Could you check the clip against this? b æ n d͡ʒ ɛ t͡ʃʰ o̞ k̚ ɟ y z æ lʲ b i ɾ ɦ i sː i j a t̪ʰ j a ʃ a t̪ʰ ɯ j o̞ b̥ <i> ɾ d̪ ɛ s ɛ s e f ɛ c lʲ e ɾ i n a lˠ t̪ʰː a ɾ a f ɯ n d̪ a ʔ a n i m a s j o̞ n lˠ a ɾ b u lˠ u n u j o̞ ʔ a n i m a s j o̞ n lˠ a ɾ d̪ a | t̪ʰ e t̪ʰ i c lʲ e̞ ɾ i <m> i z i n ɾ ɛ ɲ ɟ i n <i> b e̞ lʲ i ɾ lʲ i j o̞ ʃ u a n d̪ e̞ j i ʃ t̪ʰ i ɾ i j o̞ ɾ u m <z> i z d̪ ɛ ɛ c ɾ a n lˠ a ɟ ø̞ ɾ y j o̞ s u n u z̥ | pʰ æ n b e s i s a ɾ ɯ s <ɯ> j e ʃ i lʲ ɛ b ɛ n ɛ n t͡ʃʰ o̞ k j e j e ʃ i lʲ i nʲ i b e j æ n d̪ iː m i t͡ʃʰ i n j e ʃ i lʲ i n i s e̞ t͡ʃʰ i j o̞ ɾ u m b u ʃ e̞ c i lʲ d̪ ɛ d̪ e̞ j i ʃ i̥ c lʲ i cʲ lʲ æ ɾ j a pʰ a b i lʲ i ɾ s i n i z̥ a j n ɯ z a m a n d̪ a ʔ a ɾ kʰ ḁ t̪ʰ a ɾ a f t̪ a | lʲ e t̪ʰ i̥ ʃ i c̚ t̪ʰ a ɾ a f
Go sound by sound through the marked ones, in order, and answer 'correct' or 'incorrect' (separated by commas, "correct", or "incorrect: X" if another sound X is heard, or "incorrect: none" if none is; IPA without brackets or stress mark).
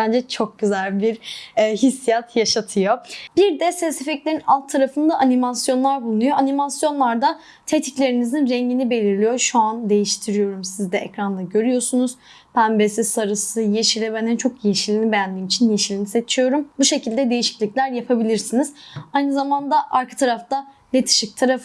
correct, incorrect: n, correct, incorrect: s, correct